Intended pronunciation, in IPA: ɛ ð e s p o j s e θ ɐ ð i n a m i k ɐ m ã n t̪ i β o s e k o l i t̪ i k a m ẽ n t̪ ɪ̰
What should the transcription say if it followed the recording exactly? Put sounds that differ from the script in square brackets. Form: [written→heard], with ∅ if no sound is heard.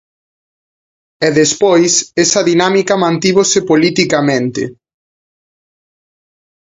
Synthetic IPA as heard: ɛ ð e s p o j s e [θ→s] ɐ ð i n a m i k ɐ m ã n t̪ i β o s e [k→p] o l i t̪ i k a m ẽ n t̪ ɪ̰